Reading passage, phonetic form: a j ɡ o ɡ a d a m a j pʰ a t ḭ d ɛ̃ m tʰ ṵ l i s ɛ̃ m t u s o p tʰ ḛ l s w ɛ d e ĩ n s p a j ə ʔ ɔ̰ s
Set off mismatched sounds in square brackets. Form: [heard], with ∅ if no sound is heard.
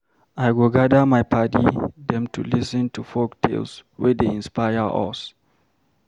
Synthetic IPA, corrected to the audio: a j ɡ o ɡ a d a m a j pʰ a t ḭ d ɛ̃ m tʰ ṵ l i s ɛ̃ [n] t u [f] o [k] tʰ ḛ l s w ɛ d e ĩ n s p a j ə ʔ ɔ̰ s